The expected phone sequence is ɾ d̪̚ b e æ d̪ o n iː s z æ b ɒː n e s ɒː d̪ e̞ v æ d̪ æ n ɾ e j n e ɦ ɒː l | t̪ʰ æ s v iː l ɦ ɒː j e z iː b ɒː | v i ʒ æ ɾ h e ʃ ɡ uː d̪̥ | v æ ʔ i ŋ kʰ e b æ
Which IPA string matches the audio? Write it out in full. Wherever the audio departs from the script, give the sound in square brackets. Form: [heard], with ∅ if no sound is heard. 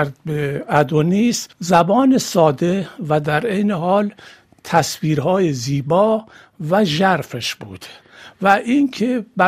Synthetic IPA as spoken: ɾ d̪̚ b e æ d̪ o n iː s z æ b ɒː n e s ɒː d̪ e̞ v æ d̪ æ [∅] ɾ e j n e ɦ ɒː l | t̪ʰ æ s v iː [ɾ] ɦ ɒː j e z iː b ɒː | v [æ] ʒ æ ɾ [f] e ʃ [b] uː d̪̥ | v æ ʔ i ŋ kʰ e b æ